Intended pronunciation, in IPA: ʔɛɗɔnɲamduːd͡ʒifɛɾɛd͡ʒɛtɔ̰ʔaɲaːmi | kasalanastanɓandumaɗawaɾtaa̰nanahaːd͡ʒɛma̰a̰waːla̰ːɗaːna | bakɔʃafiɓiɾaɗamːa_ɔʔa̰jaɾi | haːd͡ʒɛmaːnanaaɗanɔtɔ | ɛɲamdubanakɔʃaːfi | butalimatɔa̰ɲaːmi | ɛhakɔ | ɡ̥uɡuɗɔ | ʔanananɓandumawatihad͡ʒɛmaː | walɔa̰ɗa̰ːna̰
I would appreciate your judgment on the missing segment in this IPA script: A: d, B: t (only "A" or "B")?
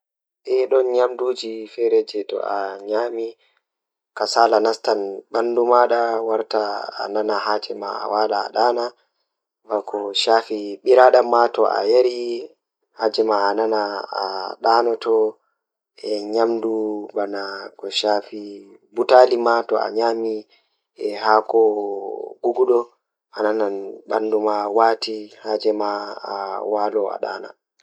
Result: B